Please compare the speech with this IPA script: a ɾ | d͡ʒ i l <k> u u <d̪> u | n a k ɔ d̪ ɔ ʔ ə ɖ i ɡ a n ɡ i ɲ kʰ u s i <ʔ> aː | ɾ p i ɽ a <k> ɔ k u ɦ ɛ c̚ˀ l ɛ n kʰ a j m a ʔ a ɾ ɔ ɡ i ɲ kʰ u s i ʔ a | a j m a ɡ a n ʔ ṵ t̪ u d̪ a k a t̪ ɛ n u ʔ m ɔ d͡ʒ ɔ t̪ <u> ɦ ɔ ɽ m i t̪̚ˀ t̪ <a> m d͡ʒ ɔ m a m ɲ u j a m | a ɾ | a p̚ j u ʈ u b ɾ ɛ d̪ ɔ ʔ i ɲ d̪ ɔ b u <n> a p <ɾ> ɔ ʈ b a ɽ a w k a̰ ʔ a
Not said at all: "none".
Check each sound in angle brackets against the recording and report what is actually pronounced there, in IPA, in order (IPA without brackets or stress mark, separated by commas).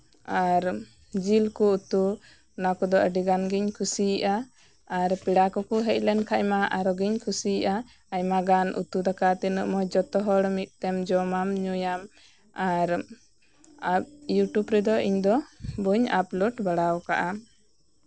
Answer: k, t̪, ʔ, k, ɔ, ɛ, ɲ, l